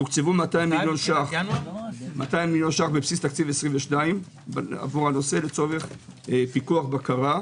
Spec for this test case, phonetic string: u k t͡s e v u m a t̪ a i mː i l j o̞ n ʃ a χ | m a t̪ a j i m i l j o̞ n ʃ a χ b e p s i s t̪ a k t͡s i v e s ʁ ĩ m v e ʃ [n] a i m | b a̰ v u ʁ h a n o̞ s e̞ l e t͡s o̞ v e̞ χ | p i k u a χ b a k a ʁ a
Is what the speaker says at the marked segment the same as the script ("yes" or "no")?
yes